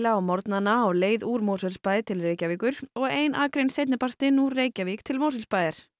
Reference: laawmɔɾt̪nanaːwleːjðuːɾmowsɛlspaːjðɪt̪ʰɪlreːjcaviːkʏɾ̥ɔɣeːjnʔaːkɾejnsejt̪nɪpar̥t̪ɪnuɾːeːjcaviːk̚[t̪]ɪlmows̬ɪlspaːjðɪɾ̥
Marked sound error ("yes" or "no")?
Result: yes